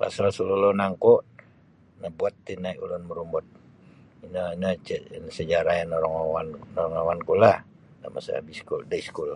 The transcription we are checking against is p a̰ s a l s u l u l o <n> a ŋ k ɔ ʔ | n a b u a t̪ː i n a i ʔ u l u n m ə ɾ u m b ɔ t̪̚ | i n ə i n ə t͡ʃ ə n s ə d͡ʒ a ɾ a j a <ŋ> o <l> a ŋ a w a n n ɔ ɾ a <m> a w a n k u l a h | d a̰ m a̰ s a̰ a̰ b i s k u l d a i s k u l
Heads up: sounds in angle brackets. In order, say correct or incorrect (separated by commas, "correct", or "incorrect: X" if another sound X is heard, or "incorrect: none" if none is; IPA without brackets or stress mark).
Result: correct, incorrect: n, incorrect: ɾ, incorrect: ŋ